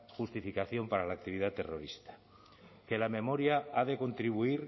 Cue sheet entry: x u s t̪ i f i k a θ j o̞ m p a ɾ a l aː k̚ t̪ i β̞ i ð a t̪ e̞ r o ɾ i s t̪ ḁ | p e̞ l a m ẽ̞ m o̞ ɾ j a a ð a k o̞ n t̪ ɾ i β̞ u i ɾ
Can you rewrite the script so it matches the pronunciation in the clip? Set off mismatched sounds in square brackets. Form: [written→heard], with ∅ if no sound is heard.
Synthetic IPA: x u s t̪ i f i k a θ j o̞ m p a ɾ a l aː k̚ t̪ i β̞ i ð a t̪ e̞ r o ɾ i s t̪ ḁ | [p→k] e̞ l a m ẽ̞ m o̞ ɾ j a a ð [a→e] k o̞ n t̪ ɾ i β̞ u i ɾ